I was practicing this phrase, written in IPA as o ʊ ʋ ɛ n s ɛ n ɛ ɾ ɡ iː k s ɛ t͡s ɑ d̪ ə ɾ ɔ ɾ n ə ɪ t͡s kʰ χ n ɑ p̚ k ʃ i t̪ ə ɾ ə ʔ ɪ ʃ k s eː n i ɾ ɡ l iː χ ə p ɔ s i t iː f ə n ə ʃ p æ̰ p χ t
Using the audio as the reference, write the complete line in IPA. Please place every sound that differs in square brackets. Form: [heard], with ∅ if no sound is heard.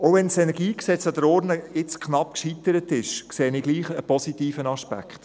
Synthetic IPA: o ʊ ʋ ɛ n s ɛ n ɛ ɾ ɡ iː k s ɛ t͡s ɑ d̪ ə ɾ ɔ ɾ n ə ɪ t͡s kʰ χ n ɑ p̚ k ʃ i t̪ ə ɾ ə [t] ɪ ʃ k s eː n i [∅] ɡ l iː χ ə p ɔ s i t iː f ə n [ɑ] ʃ p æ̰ [k] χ t